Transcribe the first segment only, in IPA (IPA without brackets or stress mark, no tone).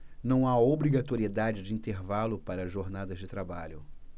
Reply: n